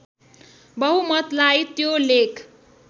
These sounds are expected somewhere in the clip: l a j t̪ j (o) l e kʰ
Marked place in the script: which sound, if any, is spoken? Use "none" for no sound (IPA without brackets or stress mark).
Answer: o